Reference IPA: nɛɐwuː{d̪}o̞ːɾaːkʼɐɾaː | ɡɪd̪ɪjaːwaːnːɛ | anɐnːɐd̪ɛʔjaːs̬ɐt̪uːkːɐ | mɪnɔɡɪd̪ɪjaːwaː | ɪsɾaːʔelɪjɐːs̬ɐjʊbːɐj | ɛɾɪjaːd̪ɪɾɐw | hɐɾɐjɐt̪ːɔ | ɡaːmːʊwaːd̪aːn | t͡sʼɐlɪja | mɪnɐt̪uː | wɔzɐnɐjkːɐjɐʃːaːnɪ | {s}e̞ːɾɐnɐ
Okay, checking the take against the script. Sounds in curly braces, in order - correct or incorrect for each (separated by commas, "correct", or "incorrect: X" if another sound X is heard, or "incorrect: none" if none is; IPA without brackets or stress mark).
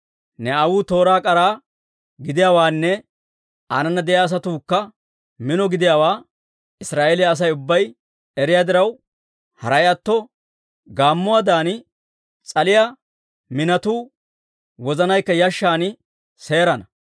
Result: incorrect: t̪, correct